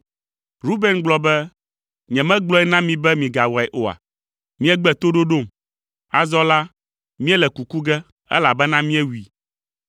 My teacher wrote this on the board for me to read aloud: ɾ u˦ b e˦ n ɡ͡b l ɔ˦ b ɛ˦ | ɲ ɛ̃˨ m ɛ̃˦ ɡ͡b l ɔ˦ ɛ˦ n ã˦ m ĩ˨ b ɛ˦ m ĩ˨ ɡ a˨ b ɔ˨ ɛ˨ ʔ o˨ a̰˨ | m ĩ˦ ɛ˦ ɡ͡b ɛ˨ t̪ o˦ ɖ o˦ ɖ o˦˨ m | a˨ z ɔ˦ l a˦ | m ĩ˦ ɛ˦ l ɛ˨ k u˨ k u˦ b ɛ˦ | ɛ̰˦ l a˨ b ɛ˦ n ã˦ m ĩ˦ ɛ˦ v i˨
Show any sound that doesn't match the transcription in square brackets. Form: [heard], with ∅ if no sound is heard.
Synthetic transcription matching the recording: ɾ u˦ b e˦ n ɡ͡b l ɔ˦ b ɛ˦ | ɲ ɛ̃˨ m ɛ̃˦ ɡ͡b l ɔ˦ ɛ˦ n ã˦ m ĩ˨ b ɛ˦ m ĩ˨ ɡ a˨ [w] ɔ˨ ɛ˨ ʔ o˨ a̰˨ | m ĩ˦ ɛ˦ ɡ͡b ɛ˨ t̪ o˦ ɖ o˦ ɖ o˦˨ m | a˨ z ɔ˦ l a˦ | m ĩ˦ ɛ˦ l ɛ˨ k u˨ k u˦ [ɡ] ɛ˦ | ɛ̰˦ l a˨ b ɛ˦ n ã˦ m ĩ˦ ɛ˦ [w] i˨